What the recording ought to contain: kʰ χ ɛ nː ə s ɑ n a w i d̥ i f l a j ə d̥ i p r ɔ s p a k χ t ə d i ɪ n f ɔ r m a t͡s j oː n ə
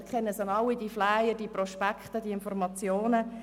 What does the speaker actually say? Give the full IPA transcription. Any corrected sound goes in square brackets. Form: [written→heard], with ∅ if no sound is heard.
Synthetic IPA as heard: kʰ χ ɛ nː ə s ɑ n [a→ɑ] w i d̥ i f l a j ə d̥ i p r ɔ [s→ʃ] p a k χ t ə d i ɪ n f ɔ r m [a→ɑ] t͡s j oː n ə